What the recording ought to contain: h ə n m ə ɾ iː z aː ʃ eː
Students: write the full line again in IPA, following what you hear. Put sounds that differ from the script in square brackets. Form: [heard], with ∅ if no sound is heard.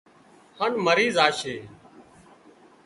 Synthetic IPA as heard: h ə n m ə ɾ iː z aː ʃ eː